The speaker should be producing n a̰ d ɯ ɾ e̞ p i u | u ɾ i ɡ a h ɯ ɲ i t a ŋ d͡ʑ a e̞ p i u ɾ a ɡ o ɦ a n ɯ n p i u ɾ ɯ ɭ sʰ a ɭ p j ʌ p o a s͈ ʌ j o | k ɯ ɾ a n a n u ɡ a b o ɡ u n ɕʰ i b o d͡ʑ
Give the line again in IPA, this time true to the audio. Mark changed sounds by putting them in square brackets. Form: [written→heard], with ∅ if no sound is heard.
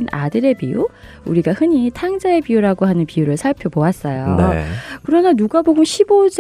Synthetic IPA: n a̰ d ɯ ɾ e̞ p i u | u ɾ i ɡ a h ɯ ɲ i [t→tʰ] a ŋ d͡ʑ a e̞ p i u ɾ a ɡ o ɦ a n ɯ n p i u ɾ ɯ ɭ sʰ a ɭ [p→pʰ] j ʌ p o a s͈ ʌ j o | k ɯ ɾ [a→ʌ] n a n u ɡ a b o ɡ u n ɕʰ i b o d͡ʑ